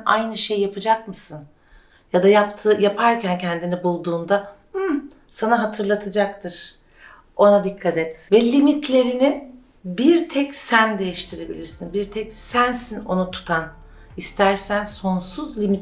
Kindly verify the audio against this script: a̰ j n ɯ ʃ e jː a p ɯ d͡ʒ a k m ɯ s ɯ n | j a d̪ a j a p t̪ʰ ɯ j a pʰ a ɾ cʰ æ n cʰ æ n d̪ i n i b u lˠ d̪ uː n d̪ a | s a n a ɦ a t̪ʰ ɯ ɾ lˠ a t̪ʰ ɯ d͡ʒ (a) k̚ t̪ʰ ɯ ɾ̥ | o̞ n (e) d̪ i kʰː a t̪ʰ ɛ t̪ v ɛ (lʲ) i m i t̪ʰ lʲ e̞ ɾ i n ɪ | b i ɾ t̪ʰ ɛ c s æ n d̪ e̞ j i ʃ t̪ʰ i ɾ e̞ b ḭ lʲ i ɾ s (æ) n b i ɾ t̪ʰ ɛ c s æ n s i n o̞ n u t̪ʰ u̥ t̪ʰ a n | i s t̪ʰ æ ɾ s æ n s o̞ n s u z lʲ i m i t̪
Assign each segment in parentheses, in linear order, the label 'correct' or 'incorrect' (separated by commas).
correct, incorrect, correct, incorrect